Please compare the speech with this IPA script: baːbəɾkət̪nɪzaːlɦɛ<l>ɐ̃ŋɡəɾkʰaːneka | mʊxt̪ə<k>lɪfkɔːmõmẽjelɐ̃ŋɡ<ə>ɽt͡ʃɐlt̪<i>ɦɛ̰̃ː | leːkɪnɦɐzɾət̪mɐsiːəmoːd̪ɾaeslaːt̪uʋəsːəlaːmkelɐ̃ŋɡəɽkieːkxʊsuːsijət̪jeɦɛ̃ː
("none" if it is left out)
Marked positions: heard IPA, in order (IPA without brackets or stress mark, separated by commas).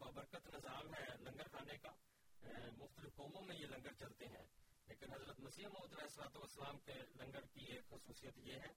l, none, ə, e